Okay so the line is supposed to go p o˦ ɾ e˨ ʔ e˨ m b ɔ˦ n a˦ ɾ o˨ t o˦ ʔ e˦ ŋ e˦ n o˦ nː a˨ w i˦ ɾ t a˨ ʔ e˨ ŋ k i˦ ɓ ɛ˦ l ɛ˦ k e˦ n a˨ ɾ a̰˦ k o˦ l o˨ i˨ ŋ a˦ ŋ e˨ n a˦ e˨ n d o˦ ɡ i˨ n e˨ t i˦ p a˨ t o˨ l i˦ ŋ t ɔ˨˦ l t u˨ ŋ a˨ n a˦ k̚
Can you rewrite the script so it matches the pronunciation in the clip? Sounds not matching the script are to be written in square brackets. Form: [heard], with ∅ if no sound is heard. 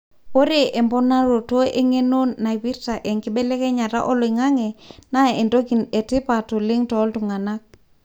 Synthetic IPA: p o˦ ɾ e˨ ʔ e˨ m b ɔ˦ n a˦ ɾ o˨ t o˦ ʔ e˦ ŋ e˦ n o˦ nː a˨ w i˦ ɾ t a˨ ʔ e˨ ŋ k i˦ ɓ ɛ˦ l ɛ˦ k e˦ [ɲ] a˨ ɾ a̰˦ [ʔ] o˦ l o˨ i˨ ŋ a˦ ŋ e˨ n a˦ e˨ n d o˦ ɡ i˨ n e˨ t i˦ p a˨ t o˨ l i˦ ŋ t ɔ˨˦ l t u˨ ŋ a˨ n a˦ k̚

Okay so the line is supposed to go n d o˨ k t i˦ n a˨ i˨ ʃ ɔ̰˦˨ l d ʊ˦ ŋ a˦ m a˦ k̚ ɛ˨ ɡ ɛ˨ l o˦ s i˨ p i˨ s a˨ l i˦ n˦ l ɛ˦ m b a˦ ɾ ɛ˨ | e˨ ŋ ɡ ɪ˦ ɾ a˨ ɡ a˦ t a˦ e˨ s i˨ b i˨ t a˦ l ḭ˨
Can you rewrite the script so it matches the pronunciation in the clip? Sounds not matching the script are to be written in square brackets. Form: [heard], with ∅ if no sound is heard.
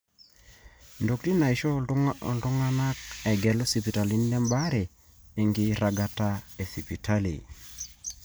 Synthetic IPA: n d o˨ k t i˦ n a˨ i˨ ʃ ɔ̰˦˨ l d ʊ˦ ŋ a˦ [n] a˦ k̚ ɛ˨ ɡ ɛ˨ l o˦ s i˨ p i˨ [t] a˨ l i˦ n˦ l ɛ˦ m b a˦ ɾ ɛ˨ | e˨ ŋ ɡ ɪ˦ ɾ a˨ ɡ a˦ t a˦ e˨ s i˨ [p] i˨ t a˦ l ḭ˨

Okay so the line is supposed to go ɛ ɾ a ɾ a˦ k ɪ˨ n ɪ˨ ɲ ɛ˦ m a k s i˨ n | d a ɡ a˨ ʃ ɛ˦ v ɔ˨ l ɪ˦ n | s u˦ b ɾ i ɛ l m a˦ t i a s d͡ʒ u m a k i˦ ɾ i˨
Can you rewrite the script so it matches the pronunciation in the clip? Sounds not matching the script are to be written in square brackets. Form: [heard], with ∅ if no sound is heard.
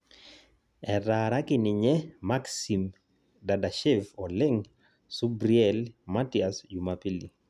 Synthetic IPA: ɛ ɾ a ɾ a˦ k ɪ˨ n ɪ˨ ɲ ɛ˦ m a k s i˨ [m] | d a [d] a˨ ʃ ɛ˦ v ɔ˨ l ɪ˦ [ŋ] | s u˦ b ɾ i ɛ l m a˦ t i a s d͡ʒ u m a [p] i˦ [l] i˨

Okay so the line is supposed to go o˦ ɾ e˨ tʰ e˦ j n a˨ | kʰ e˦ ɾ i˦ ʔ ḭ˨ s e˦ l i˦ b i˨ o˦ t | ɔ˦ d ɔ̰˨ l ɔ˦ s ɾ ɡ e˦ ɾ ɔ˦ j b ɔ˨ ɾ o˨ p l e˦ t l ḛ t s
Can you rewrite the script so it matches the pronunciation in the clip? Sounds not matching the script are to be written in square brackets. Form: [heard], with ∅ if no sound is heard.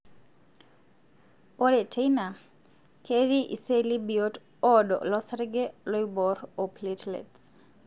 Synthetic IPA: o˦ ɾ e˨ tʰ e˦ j n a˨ | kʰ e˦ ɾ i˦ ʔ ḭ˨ s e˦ l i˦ b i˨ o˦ t | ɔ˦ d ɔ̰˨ l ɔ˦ s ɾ ɡ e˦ [l] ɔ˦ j b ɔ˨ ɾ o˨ p l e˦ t l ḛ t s

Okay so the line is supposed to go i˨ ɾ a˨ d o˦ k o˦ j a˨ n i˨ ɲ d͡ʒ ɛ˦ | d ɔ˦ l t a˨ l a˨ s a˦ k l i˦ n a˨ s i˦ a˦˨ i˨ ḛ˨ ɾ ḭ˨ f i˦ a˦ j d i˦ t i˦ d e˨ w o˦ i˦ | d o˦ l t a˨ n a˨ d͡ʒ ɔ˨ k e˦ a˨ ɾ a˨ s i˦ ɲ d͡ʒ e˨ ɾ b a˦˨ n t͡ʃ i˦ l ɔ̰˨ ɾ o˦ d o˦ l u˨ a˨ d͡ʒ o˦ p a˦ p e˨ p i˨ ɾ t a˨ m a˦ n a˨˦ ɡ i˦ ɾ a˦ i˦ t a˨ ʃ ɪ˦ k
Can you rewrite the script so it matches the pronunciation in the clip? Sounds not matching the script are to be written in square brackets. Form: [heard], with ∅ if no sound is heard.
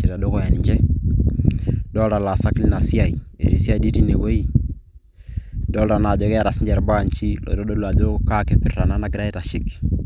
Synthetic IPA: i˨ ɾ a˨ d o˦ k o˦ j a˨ n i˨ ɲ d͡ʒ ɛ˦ | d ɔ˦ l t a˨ l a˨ s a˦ k l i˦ n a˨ s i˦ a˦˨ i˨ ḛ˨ ɾ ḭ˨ [s] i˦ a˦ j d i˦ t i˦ [n] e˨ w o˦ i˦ | d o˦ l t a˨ n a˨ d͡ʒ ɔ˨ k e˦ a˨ ɾ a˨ s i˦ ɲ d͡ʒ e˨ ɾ b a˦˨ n t͡ʃ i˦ l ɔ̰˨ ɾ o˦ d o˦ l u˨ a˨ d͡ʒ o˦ [k] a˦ [k] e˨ p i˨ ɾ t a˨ [n] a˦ n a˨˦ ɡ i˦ ɾ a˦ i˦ t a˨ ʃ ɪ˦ k

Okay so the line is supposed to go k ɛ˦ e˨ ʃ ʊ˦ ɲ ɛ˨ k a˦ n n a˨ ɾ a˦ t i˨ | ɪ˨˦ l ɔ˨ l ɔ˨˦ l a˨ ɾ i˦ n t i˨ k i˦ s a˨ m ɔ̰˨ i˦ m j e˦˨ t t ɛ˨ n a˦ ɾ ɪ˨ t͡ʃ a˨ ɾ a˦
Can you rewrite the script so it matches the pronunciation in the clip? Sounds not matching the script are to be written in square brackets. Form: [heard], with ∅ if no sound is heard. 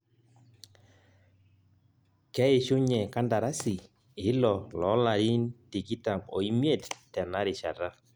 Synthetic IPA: k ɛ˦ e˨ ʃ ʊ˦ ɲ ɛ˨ k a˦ n [d] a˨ ɾ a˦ [s] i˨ | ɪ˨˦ l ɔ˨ l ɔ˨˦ l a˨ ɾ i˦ n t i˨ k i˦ [t] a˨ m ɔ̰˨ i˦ m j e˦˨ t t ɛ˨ n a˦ ɾ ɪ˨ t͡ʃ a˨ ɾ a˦

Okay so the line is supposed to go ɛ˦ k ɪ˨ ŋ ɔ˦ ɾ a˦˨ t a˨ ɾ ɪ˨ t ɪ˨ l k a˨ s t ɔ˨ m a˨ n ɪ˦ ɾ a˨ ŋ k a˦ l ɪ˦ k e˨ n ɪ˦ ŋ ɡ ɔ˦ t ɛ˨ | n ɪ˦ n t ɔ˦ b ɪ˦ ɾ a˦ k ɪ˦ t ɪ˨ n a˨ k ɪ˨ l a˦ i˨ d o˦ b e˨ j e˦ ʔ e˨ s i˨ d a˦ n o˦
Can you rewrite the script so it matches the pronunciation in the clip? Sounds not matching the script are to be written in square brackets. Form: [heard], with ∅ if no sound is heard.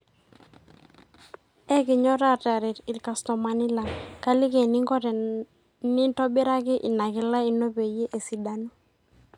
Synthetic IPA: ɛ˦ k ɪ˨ [ɲ] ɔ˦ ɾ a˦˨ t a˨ ɾ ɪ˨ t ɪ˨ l k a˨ s t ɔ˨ m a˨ n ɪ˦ [l] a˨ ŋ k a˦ l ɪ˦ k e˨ n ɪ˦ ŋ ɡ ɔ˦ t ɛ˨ | n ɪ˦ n t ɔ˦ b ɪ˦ ɾ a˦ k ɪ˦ [ʔ] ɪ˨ n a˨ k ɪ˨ l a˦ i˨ [n] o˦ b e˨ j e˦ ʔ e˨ s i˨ d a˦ n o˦

